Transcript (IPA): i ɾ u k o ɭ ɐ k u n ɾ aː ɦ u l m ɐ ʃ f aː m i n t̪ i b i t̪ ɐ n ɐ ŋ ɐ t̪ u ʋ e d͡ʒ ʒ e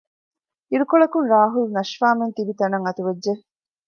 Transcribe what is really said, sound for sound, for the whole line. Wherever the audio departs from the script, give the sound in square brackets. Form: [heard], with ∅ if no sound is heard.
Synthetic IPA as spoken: i ɾ u k o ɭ ɐ k u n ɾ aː ɦ u l [n] ɐ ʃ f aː m [e] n t̪ i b i t̪ ɐ n ɐ ŋ ɐ t̪ u ʋ e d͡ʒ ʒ e